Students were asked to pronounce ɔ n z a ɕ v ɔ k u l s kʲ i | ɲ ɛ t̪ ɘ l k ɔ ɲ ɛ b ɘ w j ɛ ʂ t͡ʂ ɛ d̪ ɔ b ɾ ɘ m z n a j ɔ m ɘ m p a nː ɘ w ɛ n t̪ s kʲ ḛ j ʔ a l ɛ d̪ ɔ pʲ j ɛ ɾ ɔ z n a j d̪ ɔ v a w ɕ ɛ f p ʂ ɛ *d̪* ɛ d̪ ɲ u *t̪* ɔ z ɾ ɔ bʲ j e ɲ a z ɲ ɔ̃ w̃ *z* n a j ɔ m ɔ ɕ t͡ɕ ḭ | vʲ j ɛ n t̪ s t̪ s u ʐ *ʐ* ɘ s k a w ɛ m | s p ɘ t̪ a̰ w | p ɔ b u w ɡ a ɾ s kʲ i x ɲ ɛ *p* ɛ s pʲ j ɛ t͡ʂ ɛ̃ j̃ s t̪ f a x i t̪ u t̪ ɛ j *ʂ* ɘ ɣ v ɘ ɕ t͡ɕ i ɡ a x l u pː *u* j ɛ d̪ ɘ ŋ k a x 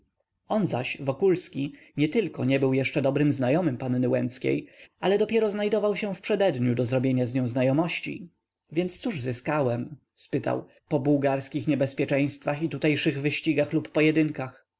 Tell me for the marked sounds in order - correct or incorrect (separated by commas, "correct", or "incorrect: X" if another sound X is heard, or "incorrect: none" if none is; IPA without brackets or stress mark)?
correct, incorrect: d̪, correct, incorrect: z, incorrect: b, correct, incorrect: ɔ